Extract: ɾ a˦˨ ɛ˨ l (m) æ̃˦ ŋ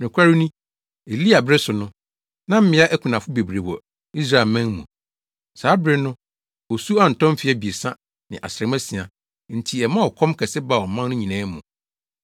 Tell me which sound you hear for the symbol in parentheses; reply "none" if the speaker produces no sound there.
m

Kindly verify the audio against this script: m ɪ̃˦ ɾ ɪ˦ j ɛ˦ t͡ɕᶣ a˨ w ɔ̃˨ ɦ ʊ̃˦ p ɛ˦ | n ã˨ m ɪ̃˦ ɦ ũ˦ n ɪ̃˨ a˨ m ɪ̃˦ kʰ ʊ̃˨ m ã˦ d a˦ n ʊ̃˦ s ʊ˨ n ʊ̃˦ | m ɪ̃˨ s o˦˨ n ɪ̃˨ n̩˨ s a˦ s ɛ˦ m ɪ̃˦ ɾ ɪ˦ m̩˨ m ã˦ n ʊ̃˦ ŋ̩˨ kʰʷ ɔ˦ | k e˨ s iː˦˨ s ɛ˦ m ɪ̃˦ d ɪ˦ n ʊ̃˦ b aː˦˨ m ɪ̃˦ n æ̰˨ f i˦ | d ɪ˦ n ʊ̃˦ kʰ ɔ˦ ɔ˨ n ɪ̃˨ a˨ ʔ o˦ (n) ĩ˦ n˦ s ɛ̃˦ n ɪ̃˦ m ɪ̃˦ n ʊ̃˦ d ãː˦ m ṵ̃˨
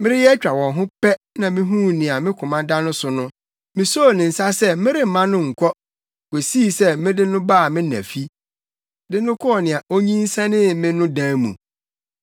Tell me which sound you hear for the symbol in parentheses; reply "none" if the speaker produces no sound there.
ɲ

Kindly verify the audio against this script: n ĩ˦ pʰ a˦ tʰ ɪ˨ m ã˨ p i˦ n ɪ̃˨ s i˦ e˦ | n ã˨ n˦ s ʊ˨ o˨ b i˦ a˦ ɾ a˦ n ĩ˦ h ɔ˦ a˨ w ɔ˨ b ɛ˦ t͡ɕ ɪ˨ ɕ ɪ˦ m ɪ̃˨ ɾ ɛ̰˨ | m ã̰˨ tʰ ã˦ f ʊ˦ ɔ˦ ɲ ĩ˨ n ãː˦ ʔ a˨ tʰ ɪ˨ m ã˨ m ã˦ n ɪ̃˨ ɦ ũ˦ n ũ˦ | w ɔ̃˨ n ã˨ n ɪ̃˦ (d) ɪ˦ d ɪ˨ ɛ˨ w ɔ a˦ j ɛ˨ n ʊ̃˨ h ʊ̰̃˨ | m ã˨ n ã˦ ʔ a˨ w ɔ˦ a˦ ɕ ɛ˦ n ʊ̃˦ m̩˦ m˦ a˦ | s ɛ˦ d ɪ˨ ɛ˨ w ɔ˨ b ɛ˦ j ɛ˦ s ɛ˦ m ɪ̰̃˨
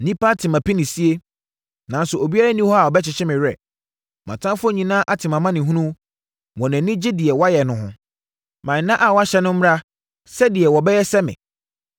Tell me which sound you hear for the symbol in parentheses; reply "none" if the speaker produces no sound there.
d͡ʑ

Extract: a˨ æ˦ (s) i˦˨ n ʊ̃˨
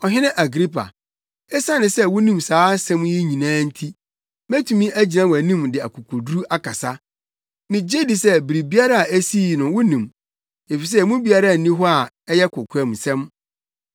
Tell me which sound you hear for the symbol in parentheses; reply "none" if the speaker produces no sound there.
s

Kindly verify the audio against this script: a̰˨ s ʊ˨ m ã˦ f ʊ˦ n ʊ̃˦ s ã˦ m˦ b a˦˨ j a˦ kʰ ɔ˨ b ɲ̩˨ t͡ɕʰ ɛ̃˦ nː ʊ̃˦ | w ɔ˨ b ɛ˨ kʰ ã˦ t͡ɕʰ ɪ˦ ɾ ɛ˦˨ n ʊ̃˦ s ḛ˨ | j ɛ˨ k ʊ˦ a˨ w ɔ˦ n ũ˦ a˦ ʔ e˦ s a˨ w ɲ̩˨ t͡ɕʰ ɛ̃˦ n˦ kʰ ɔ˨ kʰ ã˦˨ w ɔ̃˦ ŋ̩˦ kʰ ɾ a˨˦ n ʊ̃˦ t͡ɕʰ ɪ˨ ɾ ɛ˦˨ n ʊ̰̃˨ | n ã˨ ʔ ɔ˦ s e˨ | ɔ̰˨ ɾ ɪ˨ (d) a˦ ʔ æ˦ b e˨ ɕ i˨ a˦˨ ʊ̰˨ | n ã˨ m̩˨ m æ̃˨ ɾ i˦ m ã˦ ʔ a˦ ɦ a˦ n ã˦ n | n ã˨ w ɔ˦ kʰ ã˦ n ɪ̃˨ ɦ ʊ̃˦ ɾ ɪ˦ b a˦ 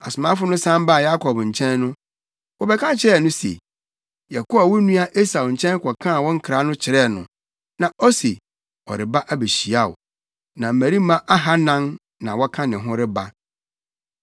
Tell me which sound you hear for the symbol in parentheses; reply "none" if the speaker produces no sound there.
b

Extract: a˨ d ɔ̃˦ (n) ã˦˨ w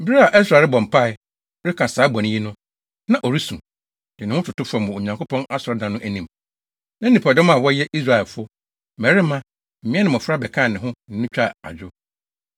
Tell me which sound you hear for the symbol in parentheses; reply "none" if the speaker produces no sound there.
m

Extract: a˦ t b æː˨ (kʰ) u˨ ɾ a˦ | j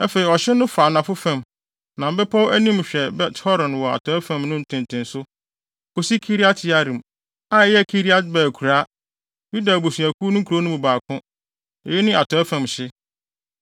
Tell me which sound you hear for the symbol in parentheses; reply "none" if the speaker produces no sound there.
kʰ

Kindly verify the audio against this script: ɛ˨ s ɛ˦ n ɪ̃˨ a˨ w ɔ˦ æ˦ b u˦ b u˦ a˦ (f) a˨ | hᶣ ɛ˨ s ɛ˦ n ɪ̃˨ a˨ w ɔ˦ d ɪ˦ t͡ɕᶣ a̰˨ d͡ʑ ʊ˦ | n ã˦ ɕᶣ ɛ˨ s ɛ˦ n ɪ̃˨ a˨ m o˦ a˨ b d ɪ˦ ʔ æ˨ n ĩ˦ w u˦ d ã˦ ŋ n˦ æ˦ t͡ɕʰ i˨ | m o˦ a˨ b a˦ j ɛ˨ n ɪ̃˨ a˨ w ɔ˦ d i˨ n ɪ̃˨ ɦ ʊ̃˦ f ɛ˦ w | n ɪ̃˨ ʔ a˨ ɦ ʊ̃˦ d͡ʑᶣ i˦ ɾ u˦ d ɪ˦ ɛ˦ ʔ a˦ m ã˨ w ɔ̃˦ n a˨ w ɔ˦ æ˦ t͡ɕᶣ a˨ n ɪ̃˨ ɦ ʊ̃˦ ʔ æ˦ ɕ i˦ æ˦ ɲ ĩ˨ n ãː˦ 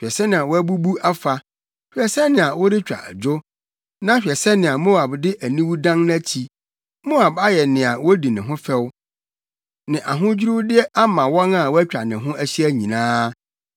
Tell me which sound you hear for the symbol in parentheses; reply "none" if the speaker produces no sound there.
f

